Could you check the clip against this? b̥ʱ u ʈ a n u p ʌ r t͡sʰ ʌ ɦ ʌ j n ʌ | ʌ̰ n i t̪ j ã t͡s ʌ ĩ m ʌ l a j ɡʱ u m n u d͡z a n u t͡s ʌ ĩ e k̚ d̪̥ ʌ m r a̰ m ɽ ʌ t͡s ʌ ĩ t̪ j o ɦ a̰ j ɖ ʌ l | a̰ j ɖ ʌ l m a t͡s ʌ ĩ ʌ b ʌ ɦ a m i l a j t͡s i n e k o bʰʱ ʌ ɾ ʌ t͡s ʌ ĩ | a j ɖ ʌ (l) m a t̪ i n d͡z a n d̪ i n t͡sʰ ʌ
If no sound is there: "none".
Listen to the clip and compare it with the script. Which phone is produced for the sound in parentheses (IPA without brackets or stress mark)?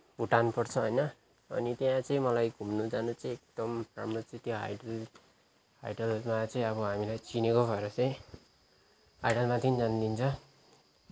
l